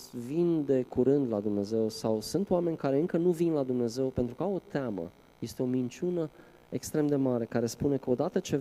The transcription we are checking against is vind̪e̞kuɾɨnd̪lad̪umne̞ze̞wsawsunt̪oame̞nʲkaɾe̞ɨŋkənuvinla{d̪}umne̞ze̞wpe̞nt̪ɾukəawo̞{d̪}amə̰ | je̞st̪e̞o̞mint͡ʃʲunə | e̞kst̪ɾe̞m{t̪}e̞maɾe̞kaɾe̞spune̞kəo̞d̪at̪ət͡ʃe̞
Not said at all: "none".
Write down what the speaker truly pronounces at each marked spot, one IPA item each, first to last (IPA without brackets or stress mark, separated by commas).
d̪, t̪, d̪